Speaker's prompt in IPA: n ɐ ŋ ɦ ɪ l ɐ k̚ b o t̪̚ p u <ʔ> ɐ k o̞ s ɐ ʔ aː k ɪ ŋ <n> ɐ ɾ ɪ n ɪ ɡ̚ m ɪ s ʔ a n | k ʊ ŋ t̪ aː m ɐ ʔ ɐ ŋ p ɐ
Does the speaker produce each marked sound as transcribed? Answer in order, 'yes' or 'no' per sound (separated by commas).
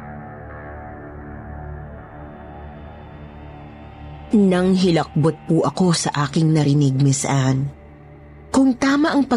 yes, yes